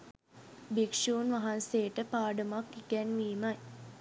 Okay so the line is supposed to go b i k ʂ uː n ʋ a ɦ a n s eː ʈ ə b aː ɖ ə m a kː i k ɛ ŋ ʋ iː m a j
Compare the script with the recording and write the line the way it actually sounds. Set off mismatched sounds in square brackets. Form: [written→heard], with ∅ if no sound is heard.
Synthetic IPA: b i k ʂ uː n ʋ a ɦ a n s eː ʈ ə [b→p] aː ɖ ə m a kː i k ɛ [ŋ→n] ʋ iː m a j